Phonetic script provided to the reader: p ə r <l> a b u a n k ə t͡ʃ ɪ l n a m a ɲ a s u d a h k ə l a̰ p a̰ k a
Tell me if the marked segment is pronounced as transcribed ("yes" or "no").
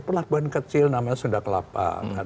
yes